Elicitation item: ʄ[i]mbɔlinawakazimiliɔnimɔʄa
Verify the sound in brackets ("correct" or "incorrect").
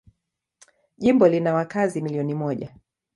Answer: correct